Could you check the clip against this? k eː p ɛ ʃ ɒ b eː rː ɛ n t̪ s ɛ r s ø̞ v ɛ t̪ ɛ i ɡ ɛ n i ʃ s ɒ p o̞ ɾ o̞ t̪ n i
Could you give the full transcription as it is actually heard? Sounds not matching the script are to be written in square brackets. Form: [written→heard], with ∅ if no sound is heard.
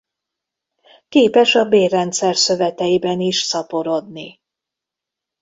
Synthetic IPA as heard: k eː p ɛ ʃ ɒ b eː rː ɛ n t̪ s ɛ r s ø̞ v ɛ t̪ ɛ i [ɡ→b] ɛ n i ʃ s ɒ p o̞ ɾ o̞ [t̪→d̪] n i